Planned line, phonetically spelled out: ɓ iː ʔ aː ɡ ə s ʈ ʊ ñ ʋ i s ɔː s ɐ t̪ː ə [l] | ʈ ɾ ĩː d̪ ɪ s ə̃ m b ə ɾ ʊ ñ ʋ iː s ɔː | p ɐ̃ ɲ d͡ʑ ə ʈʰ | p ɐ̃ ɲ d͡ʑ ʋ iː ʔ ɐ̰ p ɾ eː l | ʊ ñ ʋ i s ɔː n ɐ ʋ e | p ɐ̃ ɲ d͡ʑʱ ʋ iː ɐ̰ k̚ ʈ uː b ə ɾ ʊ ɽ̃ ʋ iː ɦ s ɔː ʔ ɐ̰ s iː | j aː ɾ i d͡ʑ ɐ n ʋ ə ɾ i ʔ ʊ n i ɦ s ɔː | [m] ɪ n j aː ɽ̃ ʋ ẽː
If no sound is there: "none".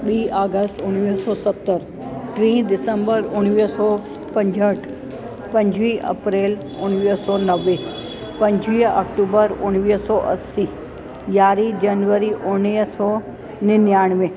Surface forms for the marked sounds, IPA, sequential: ɾ, n

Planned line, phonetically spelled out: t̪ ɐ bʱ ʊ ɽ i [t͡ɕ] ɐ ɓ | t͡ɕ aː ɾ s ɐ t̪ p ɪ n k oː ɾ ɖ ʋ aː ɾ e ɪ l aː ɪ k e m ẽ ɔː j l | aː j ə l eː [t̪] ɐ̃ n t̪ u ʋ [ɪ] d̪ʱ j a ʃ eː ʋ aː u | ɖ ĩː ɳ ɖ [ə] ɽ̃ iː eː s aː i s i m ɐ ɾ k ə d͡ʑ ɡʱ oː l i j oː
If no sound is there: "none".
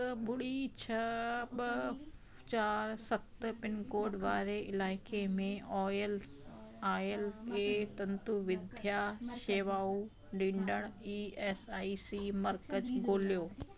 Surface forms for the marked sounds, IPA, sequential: t͡ɕʰ, t̪, ɪ, ə

